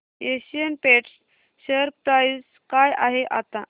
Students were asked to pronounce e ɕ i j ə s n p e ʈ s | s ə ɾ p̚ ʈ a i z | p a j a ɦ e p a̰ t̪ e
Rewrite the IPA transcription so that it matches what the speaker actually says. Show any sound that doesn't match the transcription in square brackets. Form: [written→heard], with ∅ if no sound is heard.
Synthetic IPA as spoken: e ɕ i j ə [s→∅] n p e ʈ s | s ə ɾ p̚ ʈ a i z | [p→k] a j a ɦ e [p→ʔ] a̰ t̪ [e→a]